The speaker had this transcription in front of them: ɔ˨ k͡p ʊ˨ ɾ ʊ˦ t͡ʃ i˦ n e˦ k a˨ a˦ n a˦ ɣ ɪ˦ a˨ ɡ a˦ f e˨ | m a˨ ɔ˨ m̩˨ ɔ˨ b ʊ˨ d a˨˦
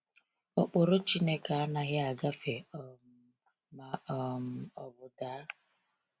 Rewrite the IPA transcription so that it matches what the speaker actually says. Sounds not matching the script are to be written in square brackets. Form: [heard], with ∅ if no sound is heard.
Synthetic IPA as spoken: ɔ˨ k͡p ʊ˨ ɾ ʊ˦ t͡ʃ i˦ n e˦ k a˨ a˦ n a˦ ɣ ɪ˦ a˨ ɡ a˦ f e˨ | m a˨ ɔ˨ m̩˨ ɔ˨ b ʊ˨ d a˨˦

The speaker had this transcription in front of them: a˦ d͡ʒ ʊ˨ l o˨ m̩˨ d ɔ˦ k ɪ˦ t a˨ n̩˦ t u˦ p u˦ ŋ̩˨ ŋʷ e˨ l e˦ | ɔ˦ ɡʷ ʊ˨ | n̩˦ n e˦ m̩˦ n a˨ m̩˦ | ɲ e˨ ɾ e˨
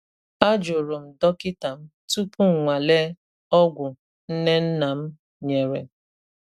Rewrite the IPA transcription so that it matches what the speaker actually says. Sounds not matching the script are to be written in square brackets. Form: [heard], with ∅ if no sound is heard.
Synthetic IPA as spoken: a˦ d͡ʒ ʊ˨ [ɾ] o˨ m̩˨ d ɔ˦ k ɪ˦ t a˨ [m̩˦] t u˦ p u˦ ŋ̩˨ ŋʷ [a˨] l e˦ | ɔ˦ ɡʷ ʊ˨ | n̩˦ n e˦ [n̩˦] n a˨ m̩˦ | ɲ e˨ ɾ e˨

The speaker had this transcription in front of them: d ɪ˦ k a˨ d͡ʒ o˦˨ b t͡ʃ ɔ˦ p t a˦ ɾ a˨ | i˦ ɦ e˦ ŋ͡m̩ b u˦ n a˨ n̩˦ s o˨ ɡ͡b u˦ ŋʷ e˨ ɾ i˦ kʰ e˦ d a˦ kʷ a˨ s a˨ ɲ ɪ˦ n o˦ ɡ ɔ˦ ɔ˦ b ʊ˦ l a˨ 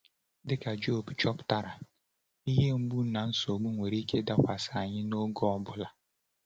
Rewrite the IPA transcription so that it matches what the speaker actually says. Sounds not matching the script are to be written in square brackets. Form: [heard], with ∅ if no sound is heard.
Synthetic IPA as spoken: d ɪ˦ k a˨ d͡ʒ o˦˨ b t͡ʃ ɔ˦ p t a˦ ɾ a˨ | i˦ ɦ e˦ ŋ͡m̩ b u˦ n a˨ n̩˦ s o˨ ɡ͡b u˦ ŋʷ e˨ ɾ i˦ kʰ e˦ d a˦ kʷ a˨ s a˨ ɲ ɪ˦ n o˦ ɡ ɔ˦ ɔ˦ b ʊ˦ l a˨

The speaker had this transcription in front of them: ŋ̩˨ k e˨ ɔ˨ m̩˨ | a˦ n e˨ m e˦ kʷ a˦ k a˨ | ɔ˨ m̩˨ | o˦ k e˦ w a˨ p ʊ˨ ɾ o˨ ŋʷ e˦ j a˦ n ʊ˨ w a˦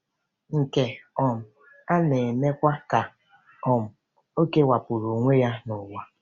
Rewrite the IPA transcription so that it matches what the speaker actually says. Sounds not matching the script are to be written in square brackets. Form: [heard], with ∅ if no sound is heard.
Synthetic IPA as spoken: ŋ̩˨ k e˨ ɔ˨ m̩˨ | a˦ n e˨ m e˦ kʷ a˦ k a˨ | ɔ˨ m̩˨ | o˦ k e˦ w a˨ p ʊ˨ ɾ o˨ ŋʷ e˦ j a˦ n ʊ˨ w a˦

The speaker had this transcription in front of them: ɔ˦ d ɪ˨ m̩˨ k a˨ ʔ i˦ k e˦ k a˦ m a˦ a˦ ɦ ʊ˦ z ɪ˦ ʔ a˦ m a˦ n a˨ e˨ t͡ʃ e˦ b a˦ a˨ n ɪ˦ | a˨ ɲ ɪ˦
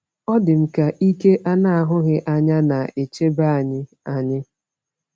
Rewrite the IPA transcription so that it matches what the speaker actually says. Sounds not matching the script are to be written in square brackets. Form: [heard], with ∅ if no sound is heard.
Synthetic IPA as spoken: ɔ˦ d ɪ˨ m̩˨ k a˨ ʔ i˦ k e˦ [ʔ] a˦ [n] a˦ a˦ ɦ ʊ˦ [ɣ] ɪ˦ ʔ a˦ [ɲ] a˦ n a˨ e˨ t͡ʃ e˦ b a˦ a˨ [ɲ] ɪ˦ | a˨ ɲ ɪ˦

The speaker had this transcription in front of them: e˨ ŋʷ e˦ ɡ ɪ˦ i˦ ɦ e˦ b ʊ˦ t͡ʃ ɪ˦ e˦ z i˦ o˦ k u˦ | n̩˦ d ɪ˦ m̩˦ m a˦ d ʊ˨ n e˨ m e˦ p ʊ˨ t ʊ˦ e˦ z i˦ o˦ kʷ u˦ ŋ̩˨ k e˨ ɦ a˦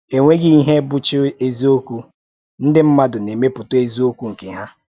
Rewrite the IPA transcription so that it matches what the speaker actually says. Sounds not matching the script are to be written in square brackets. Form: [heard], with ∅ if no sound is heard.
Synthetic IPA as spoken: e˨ ŋʷ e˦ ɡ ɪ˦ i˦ ɦ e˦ b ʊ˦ t͡ʃ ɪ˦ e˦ z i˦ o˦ k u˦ | n̩˦ d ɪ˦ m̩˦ m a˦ d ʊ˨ n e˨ m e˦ p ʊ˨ t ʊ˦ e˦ z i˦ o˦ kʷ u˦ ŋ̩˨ k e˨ ɦ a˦

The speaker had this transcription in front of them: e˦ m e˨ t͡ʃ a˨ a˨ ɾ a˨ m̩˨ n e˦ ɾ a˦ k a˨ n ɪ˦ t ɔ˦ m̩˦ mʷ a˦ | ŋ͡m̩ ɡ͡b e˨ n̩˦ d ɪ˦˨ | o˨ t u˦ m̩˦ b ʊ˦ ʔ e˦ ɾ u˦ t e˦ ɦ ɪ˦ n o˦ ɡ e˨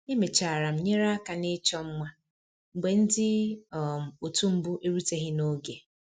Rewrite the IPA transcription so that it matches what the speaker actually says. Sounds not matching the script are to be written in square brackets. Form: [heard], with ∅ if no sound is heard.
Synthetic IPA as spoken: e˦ m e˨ t͡ʃ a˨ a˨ ɾ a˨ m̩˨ [ɲ] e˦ ɾ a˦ k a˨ n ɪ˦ [t͡ʃ] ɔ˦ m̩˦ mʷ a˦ | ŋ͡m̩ ɡ͡b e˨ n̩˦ d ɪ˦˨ | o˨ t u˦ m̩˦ b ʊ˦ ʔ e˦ ɾ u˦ t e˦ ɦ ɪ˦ n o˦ ɡ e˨

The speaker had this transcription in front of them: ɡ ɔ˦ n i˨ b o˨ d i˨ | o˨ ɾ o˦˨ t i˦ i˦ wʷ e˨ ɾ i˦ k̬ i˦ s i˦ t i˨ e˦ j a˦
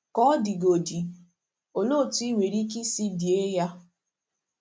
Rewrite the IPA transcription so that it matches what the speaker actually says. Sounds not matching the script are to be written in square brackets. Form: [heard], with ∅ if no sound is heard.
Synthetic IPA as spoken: [k] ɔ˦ [d] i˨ [ɡ] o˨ d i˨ | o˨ [l] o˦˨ t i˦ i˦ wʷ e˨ ɾ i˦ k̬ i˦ s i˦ [d] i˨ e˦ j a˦

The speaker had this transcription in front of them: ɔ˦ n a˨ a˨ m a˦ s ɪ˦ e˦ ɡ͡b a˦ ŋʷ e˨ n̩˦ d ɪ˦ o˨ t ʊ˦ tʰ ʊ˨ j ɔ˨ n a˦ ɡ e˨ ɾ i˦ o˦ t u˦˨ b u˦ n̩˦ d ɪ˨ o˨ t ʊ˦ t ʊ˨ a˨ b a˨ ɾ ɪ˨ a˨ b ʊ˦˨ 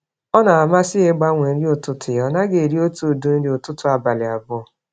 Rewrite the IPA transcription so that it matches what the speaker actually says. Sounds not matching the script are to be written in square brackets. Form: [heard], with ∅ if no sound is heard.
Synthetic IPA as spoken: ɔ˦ n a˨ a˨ m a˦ s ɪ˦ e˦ ɡ͡b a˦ ŋʷ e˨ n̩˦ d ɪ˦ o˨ t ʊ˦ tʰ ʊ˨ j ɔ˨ n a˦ ɡ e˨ ɾ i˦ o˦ t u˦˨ [d] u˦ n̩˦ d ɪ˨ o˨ t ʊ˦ t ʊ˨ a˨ b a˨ [l] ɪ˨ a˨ b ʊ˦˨

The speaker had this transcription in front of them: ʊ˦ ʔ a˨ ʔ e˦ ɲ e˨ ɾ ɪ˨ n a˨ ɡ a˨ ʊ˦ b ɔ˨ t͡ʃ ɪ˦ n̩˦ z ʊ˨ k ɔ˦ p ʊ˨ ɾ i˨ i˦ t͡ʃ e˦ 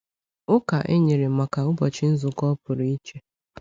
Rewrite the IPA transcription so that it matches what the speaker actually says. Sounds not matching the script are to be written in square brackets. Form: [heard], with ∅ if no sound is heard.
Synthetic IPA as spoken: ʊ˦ [k] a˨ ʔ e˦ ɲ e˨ ɾ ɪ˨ [m] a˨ [k] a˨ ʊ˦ b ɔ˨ t͡ʃ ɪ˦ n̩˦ z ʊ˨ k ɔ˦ p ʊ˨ ɾ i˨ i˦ t͡ʃ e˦

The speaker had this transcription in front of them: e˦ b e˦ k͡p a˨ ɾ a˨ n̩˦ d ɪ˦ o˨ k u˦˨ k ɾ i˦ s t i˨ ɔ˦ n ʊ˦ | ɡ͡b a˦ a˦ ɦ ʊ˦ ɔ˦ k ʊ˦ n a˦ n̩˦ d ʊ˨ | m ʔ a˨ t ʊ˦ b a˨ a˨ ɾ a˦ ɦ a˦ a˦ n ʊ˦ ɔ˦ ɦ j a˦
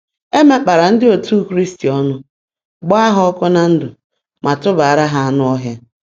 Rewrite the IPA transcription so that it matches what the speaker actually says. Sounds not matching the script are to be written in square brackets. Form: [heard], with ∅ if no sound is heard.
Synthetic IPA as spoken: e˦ [m] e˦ k͡p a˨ ɾ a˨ n̩˦ d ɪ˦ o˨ [t] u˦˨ k ɾ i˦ s t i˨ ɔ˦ n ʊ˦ | ɡ͡b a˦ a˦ ɦ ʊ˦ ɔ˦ k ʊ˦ n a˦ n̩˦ d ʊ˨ | m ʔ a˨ t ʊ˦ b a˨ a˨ ɾ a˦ ɦ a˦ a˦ n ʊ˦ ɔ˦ ɦ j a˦

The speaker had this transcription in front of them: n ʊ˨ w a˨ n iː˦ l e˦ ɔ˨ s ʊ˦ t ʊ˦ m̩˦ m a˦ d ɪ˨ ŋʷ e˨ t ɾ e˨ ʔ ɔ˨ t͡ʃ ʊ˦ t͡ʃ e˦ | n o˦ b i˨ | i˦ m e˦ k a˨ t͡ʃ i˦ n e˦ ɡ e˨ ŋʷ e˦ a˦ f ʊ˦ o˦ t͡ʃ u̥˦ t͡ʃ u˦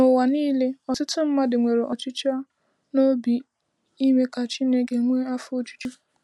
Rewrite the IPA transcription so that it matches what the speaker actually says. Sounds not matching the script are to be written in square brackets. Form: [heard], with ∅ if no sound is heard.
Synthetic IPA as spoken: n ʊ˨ w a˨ n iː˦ l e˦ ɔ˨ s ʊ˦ t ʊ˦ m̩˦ m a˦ d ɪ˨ ŋʷ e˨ [∅] ɾ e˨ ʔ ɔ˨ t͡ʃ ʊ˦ t͡ʃ [a˦] | n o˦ b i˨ | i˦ m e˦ k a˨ t͡ʃ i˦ n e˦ ɡ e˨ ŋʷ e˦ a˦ f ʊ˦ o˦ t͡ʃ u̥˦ t͡ʃ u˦

